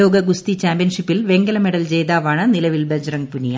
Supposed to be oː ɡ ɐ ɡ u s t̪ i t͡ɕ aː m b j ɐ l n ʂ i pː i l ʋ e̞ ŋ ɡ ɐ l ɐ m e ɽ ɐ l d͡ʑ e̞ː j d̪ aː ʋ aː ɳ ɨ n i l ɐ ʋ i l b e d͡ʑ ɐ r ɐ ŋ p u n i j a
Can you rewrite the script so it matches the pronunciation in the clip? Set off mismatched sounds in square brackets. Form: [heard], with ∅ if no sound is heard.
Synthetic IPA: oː ɡ ɐ ɡ u s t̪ i t͡ɕ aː m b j ɐ [∅] n ʂ i pː i l ʋ e̞ ŋ ɡ ɐ l ɐ m e ɽ ɐ l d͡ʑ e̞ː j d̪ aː ʋ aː ɳ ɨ n i l ɐ ʋ i l b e d͡ʑ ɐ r ɐ ŋ p u n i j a